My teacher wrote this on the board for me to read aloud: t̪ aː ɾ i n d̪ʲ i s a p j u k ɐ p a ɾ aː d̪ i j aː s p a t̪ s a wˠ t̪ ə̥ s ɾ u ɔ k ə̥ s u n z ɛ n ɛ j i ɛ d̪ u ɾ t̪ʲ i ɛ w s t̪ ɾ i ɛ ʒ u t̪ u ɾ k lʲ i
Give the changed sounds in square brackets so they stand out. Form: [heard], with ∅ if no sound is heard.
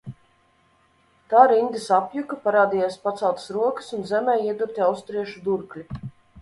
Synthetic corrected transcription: t̪ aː ɾ i n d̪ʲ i s a p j u k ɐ p a ɾ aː d̪ i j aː s p a t̪ s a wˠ t̪ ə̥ s ɾ u ɔ k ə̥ s u n z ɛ [m] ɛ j i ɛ d̪ u ɾ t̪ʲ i [a] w s t̪ ɾ i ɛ [ʃ] u [d̪] u ɾ k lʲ i